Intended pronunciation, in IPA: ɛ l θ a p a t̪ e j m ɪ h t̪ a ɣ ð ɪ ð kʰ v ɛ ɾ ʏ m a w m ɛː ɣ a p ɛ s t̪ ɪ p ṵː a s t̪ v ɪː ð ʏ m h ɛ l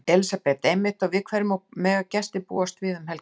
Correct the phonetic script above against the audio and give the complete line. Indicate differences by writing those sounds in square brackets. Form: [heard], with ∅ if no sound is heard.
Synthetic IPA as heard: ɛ l [s] a p [ɛ] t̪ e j m ɪ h t̪ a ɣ [v] ɪ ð kʰ v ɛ ɾ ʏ m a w m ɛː ɣ a [c] ɛ s t̪ ɪ p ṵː a s t̪ v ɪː ð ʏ m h ɛ l